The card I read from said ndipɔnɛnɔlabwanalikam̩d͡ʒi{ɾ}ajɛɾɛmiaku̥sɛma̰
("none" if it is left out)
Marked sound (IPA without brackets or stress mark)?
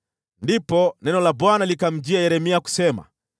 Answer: none